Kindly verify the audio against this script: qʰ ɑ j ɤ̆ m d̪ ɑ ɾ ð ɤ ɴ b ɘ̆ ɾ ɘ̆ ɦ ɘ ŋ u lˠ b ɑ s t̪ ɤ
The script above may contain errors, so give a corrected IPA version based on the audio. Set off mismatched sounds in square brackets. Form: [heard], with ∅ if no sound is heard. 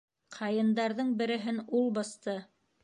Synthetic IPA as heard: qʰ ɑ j ɤ̆ [n] d̪ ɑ ɾ ð ɤ ɴ b ɘ̆ ɾ ɘ̆ ɦ ɘ [n] u lˠ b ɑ s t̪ ɤ